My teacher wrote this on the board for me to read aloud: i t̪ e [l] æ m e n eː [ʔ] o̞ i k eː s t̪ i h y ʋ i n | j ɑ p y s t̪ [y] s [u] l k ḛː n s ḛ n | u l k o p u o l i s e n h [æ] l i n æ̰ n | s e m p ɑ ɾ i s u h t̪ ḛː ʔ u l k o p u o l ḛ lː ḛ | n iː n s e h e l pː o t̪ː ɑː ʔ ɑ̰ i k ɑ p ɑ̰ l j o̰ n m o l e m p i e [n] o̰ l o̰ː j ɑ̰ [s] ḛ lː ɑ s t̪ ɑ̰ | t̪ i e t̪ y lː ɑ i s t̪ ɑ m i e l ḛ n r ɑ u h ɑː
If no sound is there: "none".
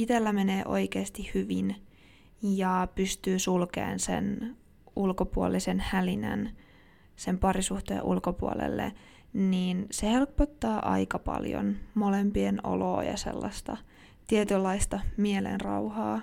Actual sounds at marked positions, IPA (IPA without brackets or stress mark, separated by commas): lː, ʔ, yː, u, æ, n, s